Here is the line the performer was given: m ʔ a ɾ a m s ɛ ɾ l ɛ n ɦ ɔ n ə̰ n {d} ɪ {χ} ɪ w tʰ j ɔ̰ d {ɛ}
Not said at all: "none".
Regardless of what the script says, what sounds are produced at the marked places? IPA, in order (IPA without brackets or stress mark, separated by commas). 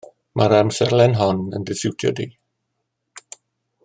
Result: d, s, i